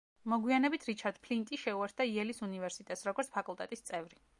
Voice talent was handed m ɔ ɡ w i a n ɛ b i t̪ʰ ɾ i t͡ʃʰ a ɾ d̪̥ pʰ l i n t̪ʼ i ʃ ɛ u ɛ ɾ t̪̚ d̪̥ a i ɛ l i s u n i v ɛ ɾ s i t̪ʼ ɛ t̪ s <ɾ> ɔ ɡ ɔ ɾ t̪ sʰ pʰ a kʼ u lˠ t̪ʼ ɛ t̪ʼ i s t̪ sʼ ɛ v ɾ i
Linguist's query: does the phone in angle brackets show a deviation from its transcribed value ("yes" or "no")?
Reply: no